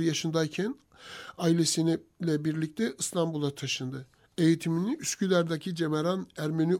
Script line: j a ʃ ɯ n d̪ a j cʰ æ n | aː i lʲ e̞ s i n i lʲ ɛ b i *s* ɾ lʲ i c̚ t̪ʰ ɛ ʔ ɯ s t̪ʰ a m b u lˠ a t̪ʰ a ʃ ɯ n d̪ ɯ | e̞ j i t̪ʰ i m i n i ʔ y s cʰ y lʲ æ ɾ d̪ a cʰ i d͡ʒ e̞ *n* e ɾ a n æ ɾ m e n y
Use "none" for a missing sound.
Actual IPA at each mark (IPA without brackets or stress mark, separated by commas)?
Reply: none, m